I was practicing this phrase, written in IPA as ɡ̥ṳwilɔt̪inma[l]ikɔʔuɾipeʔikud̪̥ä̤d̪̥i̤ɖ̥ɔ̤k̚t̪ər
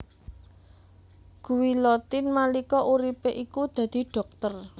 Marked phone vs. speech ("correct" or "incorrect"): correct